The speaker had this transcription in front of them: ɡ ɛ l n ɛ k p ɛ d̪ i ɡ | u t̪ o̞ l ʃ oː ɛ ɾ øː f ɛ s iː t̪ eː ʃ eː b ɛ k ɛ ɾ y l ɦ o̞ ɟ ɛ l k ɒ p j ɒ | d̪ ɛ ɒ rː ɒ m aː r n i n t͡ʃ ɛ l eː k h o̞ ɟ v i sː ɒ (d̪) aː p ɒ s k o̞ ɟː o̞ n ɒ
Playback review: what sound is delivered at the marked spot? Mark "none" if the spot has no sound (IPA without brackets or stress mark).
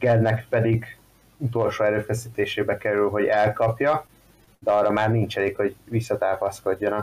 t̪